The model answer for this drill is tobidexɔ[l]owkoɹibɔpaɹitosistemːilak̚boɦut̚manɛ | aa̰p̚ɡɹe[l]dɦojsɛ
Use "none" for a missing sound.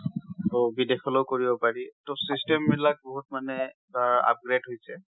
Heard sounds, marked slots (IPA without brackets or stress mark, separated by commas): l, none